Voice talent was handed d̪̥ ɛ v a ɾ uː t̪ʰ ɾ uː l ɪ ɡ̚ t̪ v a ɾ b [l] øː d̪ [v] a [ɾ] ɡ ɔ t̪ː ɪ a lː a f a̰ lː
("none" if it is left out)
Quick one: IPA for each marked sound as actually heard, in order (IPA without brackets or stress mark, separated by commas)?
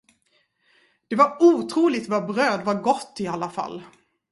ɾ, v, ɾ